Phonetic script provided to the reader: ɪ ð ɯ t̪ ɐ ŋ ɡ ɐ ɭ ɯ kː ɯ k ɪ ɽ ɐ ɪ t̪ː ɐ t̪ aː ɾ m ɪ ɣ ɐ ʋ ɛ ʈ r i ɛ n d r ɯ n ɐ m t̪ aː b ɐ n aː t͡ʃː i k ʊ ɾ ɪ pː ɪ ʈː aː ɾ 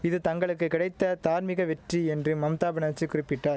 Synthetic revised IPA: ɪ ð ɯ t̪ ɐ ŋ ɡ ɐ ɭ ɯ kː ɯ k ɪ ɽ ɐ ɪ t̪ː ɐ t̪ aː ɾ m ɪ ɣ ɐ ʋ ɛ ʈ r i ɛ n d r ɯ m ɐ m t̪ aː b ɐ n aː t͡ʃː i k ʊ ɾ ɪ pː ɪ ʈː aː ɾ